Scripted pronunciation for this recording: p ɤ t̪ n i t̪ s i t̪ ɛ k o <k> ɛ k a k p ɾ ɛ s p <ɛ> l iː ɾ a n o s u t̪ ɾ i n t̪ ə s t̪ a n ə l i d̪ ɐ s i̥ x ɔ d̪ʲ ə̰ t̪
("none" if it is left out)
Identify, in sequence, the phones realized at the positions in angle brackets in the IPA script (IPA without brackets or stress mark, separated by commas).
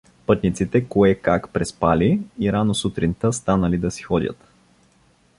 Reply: none, a